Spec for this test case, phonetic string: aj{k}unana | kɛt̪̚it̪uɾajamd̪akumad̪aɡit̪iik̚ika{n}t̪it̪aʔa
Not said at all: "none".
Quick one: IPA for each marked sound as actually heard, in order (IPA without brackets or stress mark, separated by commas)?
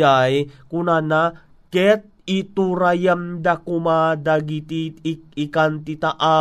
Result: k, n